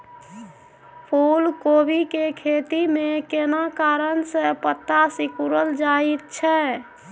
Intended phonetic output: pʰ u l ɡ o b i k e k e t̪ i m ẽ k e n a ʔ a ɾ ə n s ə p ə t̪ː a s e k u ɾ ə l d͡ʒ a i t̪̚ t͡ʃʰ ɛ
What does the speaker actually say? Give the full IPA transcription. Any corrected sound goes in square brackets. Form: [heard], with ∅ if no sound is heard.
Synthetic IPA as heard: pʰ u l [k] o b i k e [kʰ] e t̪ i m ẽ k e n a [k] a ɾ ə n s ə p ə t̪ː a s [i] k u ɾ ə l d͡ʒ a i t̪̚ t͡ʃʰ ɛ